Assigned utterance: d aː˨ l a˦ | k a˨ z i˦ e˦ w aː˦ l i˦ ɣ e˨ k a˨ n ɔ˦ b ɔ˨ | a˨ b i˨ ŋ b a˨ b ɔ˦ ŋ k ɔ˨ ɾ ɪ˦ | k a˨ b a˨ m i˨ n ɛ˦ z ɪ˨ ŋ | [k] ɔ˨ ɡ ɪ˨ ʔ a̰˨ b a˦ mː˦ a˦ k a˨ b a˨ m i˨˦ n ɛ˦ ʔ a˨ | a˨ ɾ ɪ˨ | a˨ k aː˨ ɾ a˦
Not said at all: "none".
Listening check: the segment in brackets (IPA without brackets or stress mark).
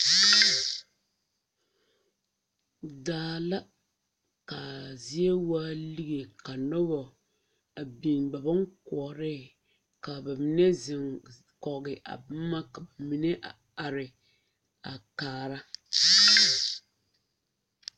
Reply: k